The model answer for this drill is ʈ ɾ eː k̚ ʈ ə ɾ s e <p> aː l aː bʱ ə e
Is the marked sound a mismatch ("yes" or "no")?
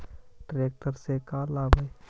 yes